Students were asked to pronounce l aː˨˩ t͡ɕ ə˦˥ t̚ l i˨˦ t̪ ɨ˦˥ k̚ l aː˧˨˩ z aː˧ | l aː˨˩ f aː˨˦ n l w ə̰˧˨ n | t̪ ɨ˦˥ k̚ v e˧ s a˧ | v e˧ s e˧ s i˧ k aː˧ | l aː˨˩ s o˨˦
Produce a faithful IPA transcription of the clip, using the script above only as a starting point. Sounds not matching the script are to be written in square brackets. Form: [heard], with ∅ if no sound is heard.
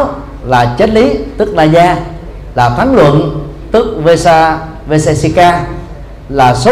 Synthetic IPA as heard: l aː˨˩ t͡ɕ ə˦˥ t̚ l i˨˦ t̪ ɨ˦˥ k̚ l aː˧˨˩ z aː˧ | l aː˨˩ f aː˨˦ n l w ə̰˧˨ n | t̪ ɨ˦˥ k̚ v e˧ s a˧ | v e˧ s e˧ s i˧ k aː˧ | l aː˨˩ s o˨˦